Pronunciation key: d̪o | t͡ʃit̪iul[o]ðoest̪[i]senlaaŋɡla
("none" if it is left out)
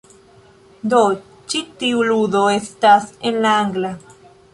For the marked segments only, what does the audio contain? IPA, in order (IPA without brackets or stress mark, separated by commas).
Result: u, a